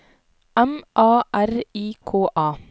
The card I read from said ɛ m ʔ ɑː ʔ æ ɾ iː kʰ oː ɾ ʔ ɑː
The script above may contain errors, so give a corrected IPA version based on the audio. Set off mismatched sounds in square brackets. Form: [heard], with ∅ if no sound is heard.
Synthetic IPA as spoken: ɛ m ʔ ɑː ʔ æ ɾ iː kʰ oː [∅] ʔ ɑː